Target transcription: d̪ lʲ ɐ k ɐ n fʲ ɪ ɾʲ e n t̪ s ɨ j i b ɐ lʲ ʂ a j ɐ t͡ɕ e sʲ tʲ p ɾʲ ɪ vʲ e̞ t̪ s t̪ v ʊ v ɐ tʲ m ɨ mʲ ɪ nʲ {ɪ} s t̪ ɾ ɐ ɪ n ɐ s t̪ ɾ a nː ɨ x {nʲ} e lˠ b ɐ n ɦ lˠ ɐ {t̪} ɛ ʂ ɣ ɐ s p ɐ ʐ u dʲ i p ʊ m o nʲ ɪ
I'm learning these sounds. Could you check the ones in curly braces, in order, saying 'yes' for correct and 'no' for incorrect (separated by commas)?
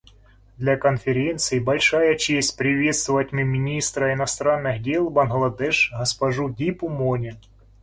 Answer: no, no, no